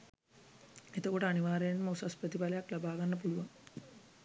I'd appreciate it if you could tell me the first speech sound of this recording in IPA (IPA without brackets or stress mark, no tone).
e